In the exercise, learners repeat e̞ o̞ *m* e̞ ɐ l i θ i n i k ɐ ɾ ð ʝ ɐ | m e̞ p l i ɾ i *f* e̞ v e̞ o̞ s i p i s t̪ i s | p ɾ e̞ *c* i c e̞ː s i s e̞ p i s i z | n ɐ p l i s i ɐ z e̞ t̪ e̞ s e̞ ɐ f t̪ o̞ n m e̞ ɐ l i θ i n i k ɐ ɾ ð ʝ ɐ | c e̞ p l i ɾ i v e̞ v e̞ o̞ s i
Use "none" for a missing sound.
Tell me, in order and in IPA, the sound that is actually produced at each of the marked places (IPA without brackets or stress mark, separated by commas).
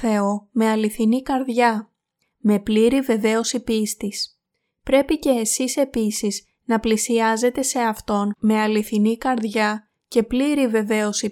m, v, p